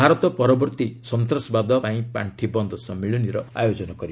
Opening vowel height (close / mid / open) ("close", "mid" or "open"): open